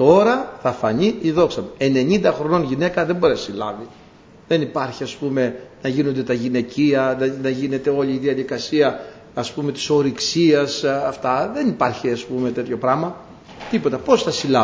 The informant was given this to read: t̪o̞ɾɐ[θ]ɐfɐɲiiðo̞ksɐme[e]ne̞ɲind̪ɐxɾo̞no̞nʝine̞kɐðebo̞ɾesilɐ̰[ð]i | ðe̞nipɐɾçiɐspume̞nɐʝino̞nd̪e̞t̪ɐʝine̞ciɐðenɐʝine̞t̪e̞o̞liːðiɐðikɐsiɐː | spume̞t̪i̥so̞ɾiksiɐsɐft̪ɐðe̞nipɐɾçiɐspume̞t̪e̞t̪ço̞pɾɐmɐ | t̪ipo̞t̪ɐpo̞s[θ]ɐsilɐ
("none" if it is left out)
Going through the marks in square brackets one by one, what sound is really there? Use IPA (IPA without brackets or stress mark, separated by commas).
θ, e, v, θ